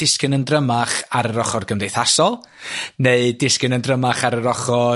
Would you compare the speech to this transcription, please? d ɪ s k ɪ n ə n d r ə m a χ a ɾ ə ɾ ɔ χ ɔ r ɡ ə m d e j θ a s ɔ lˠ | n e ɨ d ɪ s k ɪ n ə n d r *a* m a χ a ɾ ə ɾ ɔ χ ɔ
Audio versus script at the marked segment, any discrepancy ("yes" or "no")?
yes